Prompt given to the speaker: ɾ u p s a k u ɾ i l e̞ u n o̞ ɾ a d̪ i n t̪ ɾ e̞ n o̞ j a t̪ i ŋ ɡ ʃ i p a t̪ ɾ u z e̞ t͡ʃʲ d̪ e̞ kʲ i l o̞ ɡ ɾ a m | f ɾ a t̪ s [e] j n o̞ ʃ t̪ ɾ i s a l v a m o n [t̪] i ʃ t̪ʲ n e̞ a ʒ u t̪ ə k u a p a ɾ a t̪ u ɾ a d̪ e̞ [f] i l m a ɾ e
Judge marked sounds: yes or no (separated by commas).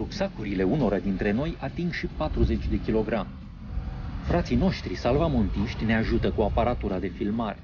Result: no, yes, yes